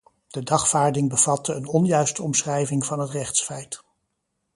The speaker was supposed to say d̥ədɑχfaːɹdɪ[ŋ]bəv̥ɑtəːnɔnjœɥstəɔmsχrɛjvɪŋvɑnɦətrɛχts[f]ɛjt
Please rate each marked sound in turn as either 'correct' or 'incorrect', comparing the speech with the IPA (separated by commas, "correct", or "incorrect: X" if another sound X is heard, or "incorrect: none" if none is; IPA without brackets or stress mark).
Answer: correct, correct